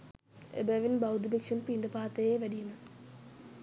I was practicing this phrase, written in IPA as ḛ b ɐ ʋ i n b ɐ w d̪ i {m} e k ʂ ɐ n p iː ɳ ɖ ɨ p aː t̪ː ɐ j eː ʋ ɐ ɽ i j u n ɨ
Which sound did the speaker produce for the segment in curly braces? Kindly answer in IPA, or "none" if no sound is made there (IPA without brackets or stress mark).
b